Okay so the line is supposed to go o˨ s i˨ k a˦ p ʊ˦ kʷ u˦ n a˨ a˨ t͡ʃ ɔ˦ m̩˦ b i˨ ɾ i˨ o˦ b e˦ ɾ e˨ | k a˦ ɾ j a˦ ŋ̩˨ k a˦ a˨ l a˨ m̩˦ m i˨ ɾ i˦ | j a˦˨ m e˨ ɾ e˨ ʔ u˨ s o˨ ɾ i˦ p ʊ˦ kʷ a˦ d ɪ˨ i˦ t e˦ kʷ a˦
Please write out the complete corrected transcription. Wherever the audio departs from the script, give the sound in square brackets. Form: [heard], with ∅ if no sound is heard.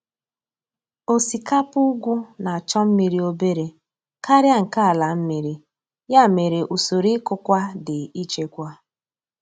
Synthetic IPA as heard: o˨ s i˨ k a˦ p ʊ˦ [ɡʷ] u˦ n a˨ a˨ t͡ʃ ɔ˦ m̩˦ [m] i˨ ɾ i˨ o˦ b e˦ ɾ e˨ | k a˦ ɾ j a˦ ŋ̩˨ k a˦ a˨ l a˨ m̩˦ m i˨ ɾ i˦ | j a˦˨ m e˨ ɾ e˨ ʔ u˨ s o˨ ɾ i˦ [k] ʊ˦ kʷ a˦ d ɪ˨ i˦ [t͡ʃ] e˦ kʷ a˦